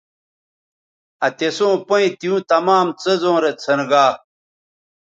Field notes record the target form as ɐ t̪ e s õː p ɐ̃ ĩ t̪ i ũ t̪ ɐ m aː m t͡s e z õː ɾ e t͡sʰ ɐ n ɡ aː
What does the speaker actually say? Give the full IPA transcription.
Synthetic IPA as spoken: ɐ t̪ e s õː p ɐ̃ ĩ t̪ i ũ t̪ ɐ m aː m t͡s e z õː ɾ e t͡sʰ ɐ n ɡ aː